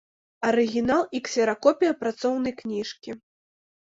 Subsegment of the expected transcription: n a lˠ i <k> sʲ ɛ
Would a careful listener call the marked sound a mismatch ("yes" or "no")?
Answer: no